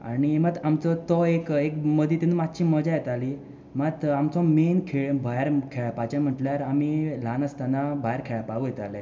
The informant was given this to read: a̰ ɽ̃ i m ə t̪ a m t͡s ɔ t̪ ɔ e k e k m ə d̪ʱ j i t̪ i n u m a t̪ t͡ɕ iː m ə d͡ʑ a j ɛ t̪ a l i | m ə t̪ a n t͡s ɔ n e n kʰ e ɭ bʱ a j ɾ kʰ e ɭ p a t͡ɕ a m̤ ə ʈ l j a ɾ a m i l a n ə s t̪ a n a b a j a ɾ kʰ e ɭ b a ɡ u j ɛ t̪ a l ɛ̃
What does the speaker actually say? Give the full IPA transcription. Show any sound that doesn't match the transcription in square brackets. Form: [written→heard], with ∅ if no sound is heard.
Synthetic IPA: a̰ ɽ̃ i m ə t̪ a m t͡s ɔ t̪ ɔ e k e k m ə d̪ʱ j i t̪ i n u m a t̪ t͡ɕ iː m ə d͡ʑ a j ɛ t̪ a l i | m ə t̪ a [n→m] t͡s ɔ [n→m] e n kʰ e ɭ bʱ a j ɾ kʰ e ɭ p a t͡ɕ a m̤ ə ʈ l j a ɾ a m i l a n ə s t̪ a n a b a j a ɾ kʰ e ɭ [b→p] a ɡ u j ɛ t̪ a l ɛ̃